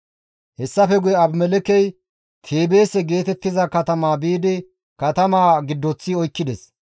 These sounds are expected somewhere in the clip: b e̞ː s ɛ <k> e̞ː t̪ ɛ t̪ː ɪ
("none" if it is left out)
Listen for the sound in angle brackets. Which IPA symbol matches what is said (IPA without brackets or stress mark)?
ɡ